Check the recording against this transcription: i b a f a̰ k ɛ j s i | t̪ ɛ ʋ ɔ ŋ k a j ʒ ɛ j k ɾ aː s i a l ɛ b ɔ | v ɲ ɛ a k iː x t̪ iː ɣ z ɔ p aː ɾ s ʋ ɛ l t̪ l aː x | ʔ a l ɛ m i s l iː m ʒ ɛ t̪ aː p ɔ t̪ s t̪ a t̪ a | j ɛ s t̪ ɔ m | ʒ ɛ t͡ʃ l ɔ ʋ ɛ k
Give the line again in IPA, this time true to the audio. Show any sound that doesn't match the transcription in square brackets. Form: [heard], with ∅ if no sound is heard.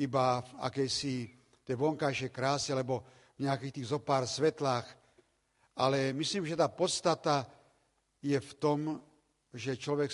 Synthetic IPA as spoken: i b a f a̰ k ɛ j s i | t̪ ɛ ʋ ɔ ŋ k a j [ʃ] ɛ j k ɾ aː s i a l ɛ b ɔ | v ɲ ɛ a k iː x t̪ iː ɣ z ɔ p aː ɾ s ʋ ɛ [∅] t̪ l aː x | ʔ a l ɛ m i s l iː m ʒ ɛ t̪ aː p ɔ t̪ s t̪ a t̪ a | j ɛ [f] t̪ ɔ m | ʒ ɛ t͡ʃ l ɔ ʋ ɛ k